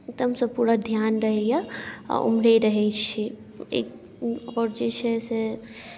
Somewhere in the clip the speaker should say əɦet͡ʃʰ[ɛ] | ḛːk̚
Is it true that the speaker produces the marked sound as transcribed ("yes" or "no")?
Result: no